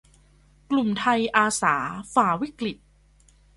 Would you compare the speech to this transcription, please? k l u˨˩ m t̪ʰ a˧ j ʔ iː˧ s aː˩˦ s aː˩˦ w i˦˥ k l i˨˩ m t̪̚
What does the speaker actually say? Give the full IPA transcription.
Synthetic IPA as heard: k l u˨˩ m t̪ʰ a˧ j ʔ aː˧ s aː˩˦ f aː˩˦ w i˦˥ k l i˨˩ t̪̚